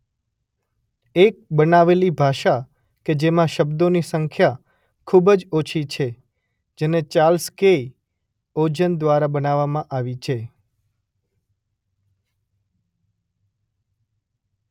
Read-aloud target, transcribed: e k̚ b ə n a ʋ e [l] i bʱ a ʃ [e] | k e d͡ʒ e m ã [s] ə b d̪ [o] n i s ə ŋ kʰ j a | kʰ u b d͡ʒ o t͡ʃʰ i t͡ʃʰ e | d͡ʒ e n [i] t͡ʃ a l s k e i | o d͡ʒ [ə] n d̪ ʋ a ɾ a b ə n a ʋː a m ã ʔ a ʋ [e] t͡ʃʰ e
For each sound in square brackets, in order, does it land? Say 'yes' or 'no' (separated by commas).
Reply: yes, no, no, yes, no, yes, no